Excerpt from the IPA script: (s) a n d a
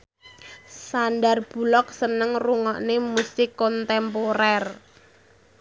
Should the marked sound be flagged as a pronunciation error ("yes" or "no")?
no